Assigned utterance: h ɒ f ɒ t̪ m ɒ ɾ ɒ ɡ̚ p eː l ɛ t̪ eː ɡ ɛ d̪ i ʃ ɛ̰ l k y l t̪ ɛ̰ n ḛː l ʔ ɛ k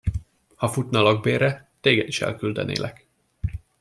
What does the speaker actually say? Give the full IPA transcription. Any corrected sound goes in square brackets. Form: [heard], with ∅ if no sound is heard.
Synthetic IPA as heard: h ɒ f [u] t̪ [n] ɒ [l] ɒ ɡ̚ [b] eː [ɾ] ɛ t̪ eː ɡ ɛ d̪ i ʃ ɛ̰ l k y l [d̪] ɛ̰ n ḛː l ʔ ɛ k